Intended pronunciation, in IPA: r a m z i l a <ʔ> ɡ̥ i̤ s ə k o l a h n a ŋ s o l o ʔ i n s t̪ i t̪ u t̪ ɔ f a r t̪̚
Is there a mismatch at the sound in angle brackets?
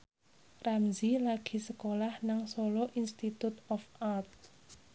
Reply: yes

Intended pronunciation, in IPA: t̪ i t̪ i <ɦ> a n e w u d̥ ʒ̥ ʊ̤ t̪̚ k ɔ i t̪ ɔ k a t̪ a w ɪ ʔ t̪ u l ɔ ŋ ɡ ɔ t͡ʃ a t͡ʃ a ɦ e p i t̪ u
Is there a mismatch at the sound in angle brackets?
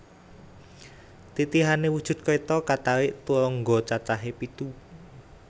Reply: no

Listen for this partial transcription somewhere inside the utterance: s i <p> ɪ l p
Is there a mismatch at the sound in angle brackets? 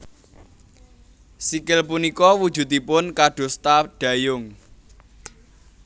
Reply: yes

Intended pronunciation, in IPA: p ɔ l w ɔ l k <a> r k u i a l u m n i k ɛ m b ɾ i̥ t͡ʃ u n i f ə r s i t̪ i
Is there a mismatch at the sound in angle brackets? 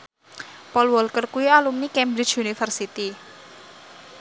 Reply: yes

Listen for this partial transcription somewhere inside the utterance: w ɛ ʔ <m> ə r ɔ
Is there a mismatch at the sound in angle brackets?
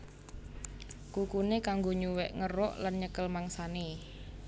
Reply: yes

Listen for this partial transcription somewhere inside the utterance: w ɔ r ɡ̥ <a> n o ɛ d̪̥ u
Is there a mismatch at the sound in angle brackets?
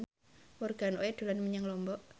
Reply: no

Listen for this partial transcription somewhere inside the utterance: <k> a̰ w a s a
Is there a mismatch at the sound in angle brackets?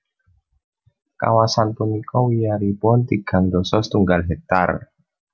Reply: no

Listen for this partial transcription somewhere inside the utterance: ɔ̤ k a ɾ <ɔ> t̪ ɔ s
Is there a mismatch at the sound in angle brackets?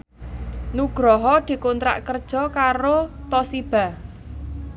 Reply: yes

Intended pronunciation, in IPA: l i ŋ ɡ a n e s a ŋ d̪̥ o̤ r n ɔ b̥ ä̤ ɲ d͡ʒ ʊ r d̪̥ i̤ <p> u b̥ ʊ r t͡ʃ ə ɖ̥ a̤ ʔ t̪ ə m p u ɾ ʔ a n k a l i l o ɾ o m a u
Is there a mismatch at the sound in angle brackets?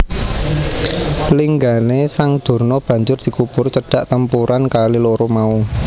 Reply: yes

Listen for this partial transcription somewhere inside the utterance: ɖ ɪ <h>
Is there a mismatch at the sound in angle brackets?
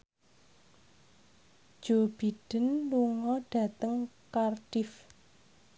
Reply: yes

